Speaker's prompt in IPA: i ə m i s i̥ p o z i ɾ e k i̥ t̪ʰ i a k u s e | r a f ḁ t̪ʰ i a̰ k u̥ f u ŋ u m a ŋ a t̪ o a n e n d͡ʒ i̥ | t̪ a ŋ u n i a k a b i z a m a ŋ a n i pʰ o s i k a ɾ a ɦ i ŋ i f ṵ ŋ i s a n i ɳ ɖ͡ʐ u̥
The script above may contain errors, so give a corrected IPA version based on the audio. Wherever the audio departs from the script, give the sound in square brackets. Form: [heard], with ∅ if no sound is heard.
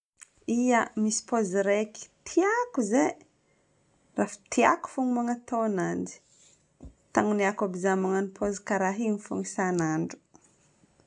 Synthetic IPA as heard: i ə m i s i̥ p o z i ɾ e k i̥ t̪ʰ i a k u [z] e | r a f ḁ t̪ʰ i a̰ k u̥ f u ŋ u m a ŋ a t̪ o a n [a] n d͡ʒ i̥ | t̪ a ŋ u n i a k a b i z a m a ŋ a n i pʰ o [z] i k a ɾ a ɦ i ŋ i f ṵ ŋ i s a n [a] ɳ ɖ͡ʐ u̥